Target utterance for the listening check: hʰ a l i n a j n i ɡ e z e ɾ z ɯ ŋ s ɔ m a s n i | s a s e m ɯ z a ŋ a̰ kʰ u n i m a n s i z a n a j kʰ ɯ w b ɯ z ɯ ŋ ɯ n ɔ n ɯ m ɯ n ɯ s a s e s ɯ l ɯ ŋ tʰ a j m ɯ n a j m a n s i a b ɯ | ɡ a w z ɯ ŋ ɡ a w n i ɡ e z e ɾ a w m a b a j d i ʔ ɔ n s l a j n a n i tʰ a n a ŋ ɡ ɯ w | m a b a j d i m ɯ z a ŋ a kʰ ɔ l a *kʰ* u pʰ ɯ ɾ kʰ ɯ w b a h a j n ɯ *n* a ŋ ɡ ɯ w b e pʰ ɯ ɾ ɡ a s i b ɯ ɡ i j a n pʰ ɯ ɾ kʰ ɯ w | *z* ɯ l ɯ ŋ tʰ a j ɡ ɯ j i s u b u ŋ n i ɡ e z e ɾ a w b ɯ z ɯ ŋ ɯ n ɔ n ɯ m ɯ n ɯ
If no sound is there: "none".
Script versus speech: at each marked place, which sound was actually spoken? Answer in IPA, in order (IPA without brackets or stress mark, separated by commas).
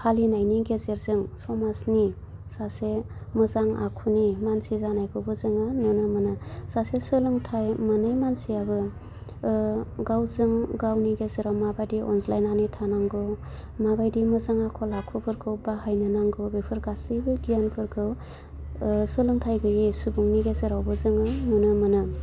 kʰ, n, s